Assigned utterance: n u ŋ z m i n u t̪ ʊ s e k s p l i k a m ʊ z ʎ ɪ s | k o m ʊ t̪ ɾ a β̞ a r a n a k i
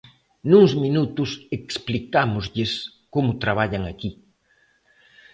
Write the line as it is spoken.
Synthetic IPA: n u ŋ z m i n u t̪ ʊ s e k s p l i k a m ʊ z ʎ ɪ s | k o m ʊ t̪ ɾ a β̞ a ʎ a ŋ a k i